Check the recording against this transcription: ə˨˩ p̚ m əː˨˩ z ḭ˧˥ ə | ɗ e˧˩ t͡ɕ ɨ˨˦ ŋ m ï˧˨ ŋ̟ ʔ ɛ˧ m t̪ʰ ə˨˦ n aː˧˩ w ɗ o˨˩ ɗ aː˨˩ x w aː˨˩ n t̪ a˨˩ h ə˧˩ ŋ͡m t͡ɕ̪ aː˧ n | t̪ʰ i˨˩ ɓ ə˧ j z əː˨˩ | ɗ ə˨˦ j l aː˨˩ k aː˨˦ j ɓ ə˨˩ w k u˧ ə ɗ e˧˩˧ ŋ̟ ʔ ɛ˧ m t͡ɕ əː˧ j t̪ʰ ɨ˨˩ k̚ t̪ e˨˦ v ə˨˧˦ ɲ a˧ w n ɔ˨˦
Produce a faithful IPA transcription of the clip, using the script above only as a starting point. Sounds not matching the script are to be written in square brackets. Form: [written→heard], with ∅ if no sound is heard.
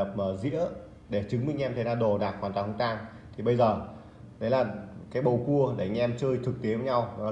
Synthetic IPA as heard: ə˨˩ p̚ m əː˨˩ z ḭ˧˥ ə | ɗ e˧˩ t͡ɕ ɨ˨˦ ŋ m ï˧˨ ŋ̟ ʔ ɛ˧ m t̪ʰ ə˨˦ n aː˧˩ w ɗ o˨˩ ɗ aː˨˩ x w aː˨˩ n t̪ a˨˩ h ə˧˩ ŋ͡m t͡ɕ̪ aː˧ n | t̪ʰ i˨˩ ɓ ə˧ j z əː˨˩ | ɗ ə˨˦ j l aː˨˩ k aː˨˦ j ɓ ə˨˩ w k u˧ ə ɗ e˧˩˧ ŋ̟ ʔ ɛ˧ m t͡ɕ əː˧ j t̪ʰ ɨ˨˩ k̚ t̪ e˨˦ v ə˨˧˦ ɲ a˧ w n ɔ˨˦